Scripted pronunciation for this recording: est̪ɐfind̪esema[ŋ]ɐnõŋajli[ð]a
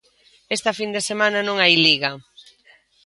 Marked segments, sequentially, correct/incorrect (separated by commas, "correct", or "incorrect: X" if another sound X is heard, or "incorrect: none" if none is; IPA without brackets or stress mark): incorrect: n, incorrect: ɣ